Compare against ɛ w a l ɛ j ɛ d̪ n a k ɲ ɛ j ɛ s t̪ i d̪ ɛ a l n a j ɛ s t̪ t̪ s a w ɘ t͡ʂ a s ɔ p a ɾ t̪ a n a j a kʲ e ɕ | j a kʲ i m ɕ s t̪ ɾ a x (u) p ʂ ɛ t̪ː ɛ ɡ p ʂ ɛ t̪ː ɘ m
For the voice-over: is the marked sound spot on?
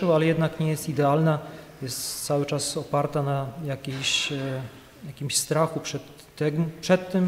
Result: yes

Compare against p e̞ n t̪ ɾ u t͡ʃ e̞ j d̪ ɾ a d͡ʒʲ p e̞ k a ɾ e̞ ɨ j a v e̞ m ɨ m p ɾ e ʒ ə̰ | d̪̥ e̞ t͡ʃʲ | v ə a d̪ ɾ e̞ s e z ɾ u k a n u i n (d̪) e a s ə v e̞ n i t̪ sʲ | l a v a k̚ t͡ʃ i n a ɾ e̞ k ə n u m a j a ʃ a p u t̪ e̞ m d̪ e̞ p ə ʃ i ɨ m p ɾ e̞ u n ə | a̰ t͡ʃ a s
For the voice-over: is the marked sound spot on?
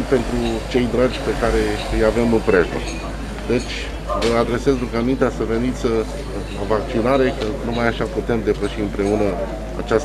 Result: no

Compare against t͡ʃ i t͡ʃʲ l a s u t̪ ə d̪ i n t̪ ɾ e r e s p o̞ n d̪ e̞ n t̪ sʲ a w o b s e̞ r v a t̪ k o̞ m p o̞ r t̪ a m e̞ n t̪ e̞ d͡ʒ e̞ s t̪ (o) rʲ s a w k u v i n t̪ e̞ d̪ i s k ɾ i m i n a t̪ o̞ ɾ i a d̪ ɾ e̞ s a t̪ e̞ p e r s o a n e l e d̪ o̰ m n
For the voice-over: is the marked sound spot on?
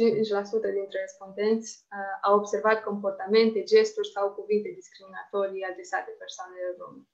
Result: no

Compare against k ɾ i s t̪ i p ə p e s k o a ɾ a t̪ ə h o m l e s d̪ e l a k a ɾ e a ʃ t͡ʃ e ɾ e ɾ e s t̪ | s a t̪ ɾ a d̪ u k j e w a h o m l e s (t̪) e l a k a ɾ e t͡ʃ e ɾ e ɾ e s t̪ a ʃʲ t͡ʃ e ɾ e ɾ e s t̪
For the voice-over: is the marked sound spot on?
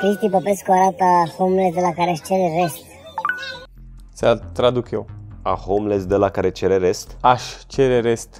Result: no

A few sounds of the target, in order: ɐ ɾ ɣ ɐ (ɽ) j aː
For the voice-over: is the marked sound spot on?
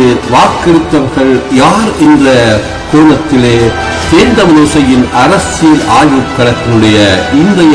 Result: no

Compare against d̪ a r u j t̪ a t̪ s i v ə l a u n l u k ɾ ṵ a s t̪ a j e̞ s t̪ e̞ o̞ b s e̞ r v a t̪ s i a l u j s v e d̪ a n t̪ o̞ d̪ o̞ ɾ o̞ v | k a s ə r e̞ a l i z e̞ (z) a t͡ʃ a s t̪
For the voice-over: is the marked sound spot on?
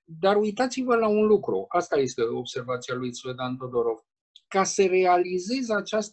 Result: yes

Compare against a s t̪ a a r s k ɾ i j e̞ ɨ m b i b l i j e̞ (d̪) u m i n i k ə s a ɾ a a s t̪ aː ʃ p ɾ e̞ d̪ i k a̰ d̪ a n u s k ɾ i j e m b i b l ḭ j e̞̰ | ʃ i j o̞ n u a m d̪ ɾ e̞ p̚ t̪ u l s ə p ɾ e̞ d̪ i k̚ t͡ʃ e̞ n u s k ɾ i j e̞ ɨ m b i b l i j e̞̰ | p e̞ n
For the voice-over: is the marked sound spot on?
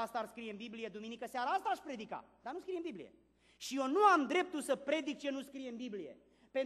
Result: yes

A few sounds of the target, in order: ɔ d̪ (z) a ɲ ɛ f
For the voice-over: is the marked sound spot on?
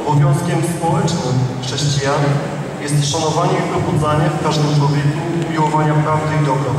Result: yes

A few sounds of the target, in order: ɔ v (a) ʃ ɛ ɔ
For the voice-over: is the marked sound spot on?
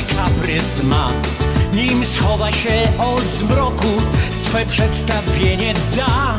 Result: yes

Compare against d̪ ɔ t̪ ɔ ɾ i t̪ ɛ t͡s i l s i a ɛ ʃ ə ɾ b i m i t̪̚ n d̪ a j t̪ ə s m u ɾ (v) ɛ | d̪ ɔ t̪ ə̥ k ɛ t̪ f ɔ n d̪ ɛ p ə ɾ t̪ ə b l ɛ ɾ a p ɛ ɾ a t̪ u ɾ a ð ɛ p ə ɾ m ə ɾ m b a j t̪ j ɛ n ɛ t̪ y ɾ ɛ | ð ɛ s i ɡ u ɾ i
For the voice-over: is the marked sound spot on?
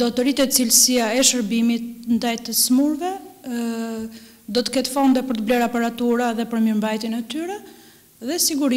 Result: yes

